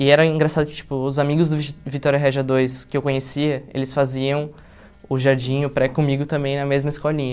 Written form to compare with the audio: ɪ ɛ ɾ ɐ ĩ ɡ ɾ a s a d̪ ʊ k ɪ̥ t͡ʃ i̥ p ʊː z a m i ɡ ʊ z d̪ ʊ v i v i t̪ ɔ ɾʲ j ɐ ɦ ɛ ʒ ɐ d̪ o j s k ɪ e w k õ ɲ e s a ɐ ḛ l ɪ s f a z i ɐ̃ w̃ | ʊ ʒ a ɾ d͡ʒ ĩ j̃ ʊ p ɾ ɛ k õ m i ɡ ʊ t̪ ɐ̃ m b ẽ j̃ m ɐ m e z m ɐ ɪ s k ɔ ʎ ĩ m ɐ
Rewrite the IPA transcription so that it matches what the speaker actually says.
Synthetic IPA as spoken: ɪ ɛ ɾ ɐ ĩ ɡ ɾ a s a d̪ ʊ k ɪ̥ t͡ʃ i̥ p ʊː z a m i ɡ ʊ z d̪ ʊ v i v i t̪ ɔ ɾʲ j ɐ ɦ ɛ ʒ ɐ d̪ o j s k ɪ e w k õ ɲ e s i ɐ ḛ l ɪ s f a z i ɐ̃ w̃ | ʊ ʒ a ɾ d͡ʒ ĩ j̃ ʊ p ɾ ɛ k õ m i ɡ ʊ t̪ ɐ̃ m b ẽ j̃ n ɐ m e z m ɐ ɪ s k ɔ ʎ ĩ ɲ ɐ